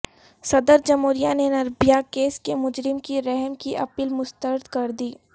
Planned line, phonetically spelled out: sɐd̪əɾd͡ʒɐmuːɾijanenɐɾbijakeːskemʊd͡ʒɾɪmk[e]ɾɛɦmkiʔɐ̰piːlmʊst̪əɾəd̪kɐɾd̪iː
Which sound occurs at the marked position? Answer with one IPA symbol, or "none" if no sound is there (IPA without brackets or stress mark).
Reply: i